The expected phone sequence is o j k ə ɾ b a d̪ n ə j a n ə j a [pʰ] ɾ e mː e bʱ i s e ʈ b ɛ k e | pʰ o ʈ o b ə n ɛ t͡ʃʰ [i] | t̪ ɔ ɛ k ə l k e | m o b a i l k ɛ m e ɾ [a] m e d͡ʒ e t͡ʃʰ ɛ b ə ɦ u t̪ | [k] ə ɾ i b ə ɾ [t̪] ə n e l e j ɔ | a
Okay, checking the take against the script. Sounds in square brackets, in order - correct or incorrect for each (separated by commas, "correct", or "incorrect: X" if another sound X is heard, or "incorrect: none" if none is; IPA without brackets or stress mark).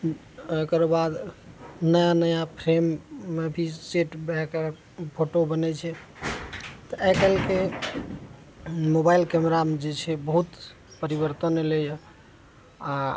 correct, incorrect: ɛ, correct, incorrect: p, correct